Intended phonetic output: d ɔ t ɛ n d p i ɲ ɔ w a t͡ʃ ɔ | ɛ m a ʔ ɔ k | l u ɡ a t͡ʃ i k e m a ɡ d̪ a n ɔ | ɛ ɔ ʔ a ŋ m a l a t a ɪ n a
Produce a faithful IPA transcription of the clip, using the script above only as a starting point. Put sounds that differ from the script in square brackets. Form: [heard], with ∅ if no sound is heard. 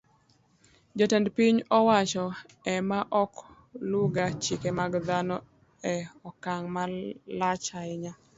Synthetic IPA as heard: [d͡ʒ] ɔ t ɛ n d p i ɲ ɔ w a t͡ʃ ɔ | ɛ m a ʔ ɔ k | l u ɡ a t͡ʃ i k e m a ɡ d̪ a n ɔ | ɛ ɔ [k] a ŋ m a l a [t͡ʃ] a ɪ [ɲ] a

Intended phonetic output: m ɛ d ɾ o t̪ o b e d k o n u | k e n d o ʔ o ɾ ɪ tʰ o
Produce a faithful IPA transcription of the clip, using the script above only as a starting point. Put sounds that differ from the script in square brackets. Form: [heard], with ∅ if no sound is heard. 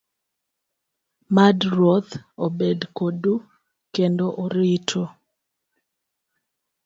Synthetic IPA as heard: m [a] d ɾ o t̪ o b e d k o [d] u | k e n d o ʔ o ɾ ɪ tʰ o

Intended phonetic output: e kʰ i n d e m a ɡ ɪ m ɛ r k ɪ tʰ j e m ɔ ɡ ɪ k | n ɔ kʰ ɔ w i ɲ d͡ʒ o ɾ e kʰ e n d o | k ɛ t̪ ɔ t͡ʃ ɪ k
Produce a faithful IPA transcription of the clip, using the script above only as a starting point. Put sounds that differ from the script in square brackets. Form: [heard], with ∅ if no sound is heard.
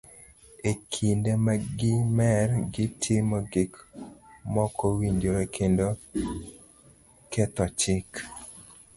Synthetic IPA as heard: e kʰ i n d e m a ɡ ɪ m ɛ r [ɡ] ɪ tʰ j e m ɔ ɡ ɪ k | [m] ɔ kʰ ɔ w i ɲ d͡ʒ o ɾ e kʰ e n d o | k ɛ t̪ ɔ t͡ʃ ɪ k

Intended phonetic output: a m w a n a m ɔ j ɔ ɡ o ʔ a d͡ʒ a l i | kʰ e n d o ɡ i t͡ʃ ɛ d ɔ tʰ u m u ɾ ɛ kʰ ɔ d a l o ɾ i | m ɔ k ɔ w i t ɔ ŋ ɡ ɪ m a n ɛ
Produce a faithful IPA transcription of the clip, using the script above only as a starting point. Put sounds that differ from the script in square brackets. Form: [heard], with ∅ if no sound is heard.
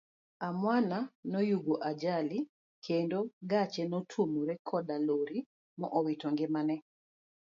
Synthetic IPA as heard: a m w a n a [n] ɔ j [u] ɡ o ʔ a d͡ʒ a l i | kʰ e n d o ɡ [a] t͡ʃ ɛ [n] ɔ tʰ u m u ɾ ɛ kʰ ɔ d a l o ɾ i | m ɔ [ʔ] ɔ w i t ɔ ŋ ɡ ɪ m a n ɛ

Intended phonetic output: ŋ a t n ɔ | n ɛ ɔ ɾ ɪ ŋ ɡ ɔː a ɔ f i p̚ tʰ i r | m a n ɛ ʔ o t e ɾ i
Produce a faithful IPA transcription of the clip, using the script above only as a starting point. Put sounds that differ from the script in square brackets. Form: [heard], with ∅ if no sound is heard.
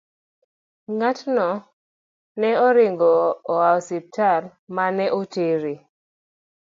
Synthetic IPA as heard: ŋ a t n ɔ | n ɛ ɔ ɾ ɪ ŋ ɡ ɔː a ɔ [s] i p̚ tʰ [a] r | m a n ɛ ʔ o t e ɾ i

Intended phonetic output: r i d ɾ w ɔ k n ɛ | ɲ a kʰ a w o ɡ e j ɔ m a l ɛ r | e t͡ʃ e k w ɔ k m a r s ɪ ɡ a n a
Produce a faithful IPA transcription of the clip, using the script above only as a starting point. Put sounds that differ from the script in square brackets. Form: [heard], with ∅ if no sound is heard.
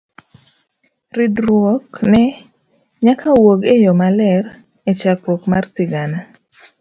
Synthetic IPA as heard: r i d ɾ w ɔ k n ɛ | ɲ a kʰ a w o ɡ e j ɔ m a l ɛ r | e t͡ʃ [a] k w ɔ k m a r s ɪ ɡ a n a

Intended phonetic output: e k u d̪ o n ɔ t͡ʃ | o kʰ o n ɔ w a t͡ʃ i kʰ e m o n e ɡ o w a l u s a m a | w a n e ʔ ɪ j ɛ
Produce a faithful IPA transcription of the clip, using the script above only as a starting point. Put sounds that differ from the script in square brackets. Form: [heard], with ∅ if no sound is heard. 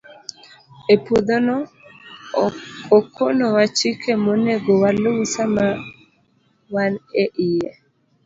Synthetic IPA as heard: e [p] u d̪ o n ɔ [∅] | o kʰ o n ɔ w a t͡ʃ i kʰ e m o n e ɡ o w a l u s a m a | w a n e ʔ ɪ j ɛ

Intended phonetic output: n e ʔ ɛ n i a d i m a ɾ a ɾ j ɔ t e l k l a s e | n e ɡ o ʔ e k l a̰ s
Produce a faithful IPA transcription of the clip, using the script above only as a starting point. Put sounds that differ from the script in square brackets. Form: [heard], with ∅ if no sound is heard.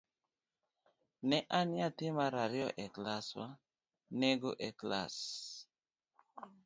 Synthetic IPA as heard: n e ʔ [a] n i a [t] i m a ɾ a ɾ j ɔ [ʔ] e [∅] k l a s [a] | n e ɡ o ʔ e k l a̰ s

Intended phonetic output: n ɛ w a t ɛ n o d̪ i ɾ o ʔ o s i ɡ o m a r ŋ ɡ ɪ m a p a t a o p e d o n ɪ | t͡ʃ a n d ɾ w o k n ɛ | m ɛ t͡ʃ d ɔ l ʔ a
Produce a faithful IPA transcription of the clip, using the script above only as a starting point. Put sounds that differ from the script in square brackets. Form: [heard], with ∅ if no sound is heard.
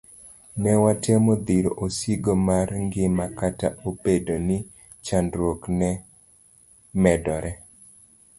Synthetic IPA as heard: n ɛ w a t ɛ [m] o d̪ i ɾ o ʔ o s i ɡ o m a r ŋ ɡ ɪ m a [k] a t a o p e d o n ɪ | t͡ʃ a n d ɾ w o k n ɛ | m ɛ [∅] d ɔ [ɾ] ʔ [ɛ]

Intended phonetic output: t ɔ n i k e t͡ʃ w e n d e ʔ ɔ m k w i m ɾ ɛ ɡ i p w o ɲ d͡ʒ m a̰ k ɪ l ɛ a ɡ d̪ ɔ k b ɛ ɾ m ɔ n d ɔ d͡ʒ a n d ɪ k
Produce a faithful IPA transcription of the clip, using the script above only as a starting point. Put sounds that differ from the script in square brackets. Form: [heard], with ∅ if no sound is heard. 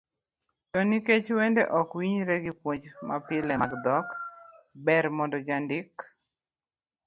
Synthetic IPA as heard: t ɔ n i k e t͡ʃ w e n d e ʔ ɔ [∅] k w i [ɲ] ɾ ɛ ɡ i p w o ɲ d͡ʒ m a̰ [p] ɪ l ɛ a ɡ d̪ ɔ k b ɛ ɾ m ɔ n d ɔ d͡ʒ a n d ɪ k

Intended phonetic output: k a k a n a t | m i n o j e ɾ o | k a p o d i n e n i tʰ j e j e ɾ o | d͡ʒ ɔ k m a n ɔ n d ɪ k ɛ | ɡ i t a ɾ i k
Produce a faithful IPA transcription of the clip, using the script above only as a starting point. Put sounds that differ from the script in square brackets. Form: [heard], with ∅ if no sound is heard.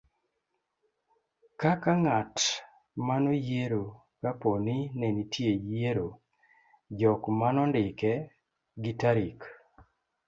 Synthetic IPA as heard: k a k a [ŋ] a t | m [a] n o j e ɾ o | k a p o [n] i n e n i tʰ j e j e ɾ o | d͡ʒ ɔ k m a n ɔ n d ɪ k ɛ | ɡ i t a ɾ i k

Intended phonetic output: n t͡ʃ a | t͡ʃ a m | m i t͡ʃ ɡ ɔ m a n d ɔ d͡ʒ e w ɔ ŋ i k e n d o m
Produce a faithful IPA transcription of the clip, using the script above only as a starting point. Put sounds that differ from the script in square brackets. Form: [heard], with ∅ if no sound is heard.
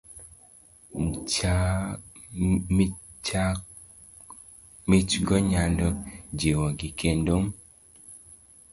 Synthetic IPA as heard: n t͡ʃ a | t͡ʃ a [∅] | m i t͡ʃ ɡ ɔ [ɲ] a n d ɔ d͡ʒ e w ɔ [ɡ] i k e n d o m

